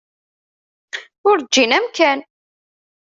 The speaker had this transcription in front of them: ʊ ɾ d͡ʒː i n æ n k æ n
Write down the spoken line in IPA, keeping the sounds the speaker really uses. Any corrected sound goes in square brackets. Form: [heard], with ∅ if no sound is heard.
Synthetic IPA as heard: ʊ ɾ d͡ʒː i n æ [m] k æ n